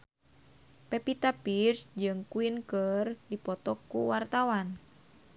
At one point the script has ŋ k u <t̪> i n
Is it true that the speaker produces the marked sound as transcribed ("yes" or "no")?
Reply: no